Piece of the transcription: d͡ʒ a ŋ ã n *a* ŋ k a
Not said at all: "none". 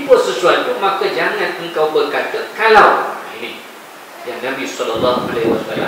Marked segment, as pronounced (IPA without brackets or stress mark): ə